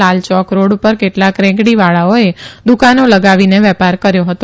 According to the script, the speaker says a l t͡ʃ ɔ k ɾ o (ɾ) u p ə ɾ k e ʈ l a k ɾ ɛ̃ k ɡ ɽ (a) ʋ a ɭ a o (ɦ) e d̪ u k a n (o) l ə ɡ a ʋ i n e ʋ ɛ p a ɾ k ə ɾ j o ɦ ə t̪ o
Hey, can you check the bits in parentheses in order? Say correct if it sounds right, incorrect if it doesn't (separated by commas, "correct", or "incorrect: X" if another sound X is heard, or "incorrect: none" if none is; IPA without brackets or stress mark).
incorrect: ɽ, incorrect: i, incorrect: none, correct